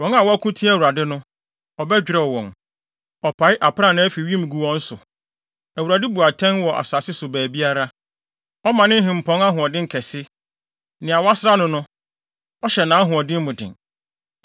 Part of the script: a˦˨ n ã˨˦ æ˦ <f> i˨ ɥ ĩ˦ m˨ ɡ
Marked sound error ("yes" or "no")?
no